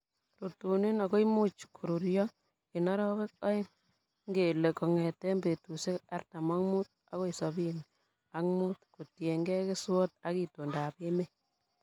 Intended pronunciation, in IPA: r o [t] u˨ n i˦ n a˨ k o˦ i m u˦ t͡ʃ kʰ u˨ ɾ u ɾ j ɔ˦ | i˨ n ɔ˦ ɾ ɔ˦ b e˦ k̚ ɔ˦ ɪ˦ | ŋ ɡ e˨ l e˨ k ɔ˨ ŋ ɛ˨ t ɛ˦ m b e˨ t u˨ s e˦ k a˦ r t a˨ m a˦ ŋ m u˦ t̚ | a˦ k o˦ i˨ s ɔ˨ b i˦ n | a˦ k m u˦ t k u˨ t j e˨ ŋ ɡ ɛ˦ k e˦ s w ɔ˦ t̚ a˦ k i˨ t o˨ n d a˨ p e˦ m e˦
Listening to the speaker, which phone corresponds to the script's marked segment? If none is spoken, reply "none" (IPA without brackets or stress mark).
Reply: t